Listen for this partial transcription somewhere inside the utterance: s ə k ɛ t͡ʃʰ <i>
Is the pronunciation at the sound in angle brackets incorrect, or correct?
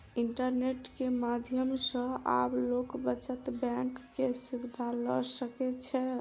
incorrect